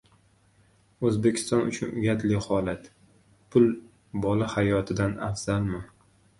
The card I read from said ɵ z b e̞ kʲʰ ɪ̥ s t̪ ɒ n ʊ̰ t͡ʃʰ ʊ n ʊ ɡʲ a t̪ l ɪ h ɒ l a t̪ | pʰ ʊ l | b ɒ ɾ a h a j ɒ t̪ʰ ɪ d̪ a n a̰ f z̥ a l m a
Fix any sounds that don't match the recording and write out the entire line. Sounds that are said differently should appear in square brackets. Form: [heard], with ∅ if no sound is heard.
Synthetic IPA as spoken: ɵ z b e̞ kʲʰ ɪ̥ s t̪ ɒ n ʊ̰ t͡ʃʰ ʊ n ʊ ɡʲ a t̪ l ɪ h ɒ l a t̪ | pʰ ʊ l | b ɒ [l] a h a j ɒ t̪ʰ ɪ d̪ a n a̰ f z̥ a l m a